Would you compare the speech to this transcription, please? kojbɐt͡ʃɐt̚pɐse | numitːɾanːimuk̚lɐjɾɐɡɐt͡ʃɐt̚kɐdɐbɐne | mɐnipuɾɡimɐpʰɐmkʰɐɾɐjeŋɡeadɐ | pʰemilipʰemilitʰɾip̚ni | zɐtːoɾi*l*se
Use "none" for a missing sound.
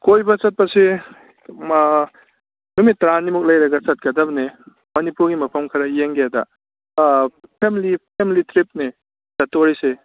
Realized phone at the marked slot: none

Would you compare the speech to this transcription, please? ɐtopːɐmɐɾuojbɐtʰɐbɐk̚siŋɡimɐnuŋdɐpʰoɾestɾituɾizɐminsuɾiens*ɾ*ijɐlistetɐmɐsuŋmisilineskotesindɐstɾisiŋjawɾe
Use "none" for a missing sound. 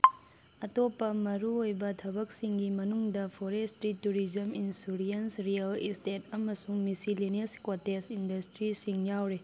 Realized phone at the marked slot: ɾ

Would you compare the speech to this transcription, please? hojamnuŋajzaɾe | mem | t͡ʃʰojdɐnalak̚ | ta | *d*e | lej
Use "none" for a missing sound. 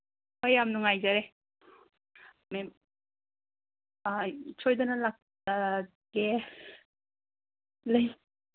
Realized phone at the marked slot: ɡ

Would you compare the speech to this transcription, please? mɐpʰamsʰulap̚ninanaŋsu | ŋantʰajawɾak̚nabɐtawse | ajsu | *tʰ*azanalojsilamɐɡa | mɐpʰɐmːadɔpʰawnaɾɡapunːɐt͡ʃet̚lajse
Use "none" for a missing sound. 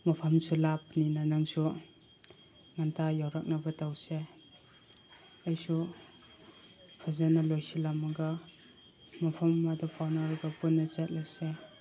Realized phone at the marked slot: pʰ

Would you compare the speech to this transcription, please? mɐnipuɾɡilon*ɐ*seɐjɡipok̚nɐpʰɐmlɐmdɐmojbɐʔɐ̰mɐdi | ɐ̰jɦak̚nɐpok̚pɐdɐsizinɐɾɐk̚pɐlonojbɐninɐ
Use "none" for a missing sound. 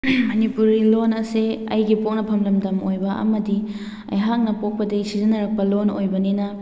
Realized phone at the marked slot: ɐ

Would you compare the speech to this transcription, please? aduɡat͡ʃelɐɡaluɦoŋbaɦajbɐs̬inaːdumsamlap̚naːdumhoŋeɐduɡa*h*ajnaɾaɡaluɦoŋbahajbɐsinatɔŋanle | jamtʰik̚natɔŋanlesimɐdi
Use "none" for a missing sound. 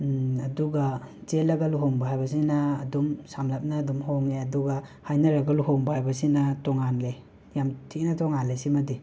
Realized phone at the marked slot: h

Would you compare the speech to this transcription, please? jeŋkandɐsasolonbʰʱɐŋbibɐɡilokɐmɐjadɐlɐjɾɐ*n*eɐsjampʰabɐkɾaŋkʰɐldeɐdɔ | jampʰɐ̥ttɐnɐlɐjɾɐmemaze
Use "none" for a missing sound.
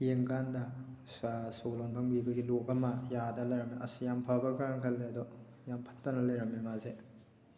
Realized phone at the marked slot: m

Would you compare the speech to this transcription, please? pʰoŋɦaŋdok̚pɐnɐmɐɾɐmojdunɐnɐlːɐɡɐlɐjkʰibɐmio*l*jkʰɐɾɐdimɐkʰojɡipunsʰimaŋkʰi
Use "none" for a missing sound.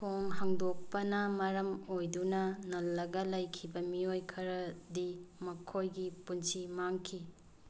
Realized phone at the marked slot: none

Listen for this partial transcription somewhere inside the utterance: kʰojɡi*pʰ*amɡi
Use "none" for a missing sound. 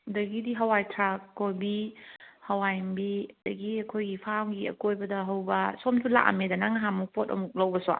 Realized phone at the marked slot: pʰ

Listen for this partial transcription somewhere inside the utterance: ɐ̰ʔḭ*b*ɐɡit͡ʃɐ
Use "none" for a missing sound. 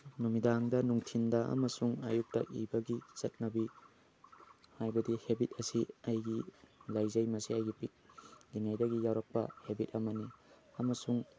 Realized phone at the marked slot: b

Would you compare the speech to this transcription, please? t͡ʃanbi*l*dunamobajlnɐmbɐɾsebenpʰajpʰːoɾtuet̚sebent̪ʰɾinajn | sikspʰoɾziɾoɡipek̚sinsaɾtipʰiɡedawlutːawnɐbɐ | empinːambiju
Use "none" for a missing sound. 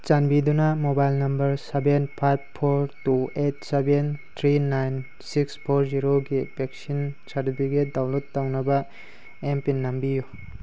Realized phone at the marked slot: none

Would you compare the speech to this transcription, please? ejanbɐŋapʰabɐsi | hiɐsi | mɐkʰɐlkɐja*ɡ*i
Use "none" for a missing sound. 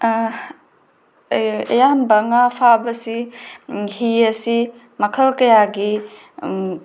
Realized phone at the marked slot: ɡ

